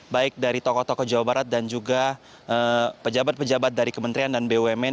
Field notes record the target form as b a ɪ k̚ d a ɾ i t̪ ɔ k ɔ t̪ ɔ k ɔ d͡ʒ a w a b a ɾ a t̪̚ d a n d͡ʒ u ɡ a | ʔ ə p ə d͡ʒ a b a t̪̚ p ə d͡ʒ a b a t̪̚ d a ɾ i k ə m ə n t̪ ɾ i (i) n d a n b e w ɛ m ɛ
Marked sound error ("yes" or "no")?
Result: yes